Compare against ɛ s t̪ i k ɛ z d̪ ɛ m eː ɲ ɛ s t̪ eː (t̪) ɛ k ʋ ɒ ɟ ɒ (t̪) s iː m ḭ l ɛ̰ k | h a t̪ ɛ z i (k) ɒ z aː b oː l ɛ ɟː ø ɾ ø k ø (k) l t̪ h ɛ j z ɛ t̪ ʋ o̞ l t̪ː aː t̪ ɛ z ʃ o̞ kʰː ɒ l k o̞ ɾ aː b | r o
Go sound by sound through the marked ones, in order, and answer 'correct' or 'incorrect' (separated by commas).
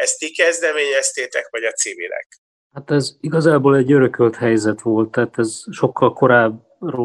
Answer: correct, correct, incorrect, incorrect